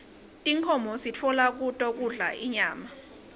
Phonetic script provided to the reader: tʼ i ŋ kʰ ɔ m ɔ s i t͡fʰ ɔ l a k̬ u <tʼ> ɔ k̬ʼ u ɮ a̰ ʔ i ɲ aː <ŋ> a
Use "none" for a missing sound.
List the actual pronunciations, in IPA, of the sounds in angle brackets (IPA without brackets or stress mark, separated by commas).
tʼ, m